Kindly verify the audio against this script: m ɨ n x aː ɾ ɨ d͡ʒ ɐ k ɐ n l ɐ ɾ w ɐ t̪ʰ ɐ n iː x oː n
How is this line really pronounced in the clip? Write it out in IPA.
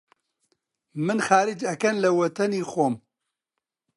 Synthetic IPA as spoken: m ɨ n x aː ɾ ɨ d͡ʒ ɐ k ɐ n l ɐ w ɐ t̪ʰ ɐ n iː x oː m